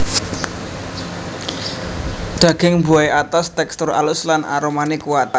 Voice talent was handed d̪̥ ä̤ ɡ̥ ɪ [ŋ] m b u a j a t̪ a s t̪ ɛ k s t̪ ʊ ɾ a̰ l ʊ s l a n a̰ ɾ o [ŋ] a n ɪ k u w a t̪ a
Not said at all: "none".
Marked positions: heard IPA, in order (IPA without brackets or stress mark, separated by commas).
ŋ, m